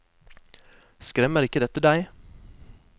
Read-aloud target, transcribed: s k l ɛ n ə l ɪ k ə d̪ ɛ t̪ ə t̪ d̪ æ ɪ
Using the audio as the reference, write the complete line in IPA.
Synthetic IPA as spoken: s k ɾ ɛ m ə ɾ ɪ k ə d̪ ɛ t̪ ə d̪ æ ɪ